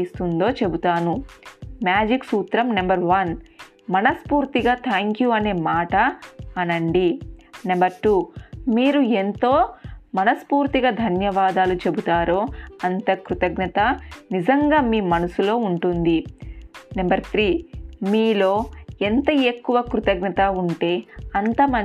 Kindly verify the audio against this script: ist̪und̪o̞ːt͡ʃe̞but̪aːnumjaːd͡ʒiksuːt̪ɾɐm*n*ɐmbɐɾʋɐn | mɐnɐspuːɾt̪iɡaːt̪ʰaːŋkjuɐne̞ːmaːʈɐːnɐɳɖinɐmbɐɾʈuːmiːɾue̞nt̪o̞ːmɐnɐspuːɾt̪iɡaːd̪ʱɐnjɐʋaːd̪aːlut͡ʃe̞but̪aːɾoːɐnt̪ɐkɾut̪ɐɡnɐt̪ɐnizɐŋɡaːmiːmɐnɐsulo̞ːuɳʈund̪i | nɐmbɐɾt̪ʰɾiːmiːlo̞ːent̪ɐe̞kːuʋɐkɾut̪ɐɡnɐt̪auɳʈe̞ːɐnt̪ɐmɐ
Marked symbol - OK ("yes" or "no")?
yes